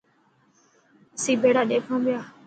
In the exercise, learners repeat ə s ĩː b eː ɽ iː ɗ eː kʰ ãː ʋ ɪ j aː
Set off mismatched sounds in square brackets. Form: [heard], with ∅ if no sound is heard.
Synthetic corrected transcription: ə s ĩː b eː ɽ [aː] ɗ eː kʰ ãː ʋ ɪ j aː